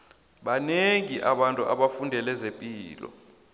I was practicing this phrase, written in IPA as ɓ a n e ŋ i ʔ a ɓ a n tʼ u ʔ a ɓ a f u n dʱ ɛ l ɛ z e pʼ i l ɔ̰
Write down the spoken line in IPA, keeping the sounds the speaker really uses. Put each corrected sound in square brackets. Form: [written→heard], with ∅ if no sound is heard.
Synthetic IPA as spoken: ɓ a n e ŋ i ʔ a ɓ a n tʼ u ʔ a ɓ a f u n dʱ ɛ l ɛ z e pʼ [i→iː] l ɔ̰